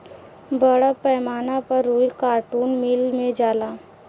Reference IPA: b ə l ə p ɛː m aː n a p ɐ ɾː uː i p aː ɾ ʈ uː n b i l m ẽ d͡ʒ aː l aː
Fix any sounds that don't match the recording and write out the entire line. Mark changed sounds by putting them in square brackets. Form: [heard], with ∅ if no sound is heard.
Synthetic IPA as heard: b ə [ɽ] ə p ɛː m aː n a p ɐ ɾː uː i [k] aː ɾ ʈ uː n [m] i l m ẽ d͡ʒ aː l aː